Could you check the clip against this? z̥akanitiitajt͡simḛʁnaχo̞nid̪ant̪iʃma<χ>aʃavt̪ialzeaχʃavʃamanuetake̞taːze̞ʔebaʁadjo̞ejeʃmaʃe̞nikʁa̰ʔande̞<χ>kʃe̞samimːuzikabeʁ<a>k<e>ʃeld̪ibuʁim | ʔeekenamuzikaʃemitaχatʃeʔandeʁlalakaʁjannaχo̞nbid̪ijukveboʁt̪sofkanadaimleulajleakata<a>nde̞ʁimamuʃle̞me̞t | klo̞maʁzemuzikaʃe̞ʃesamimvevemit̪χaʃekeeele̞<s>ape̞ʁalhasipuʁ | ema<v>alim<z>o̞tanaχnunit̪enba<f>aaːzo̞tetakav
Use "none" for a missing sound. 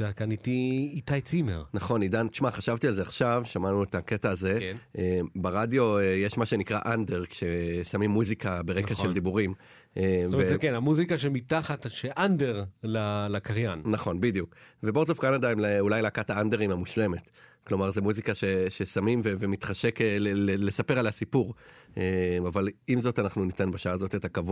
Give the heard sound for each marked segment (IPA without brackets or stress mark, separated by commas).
χ, ʁ, e, a, a, s, v, z, ʃ